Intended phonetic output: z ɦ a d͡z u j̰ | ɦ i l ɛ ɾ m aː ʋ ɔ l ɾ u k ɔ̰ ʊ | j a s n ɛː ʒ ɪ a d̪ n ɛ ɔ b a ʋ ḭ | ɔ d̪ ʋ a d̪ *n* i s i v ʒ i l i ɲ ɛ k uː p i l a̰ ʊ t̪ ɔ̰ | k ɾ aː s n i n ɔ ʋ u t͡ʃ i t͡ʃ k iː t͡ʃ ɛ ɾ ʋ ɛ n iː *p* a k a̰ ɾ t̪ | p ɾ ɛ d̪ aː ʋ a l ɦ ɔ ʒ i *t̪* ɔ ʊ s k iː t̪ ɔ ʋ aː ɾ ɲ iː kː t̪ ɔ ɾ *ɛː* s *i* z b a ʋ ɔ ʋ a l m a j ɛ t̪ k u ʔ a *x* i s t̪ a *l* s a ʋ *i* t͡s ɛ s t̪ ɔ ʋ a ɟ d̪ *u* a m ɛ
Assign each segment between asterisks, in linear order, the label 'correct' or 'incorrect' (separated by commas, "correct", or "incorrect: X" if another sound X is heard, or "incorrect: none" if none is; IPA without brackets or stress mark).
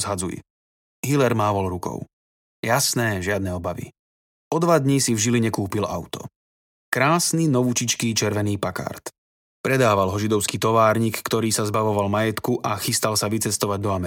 incorrect: ɲ, correct, incorrect: d̪, incorrect: iː, incorrect: a, correct, correct, correct, incorrect: ɔ